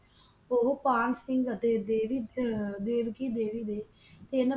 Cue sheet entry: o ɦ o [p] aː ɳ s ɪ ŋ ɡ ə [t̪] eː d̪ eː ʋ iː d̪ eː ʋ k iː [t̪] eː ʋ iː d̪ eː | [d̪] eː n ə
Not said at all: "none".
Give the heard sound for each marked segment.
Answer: p, t̪, d̪, t̪

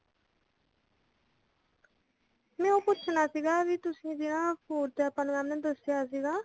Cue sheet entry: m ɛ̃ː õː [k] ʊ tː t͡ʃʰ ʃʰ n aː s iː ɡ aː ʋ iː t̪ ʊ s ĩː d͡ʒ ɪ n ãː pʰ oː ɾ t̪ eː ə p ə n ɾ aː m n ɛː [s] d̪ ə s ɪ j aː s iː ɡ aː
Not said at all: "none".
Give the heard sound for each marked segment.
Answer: p, none

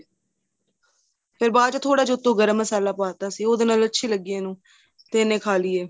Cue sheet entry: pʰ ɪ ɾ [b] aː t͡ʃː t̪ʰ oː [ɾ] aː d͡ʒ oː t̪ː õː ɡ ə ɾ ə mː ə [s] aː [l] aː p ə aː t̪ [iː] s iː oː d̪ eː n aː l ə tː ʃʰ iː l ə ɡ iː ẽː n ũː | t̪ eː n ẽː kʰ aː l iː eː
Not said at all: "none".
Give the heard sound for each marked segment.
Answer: b, ɽ, s, l, aː

